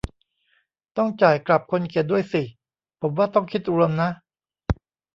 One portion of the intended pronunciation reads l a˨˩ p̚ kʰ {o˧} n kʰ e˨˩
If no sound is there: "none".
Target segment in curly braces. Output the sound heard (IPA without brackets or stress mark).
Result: o˧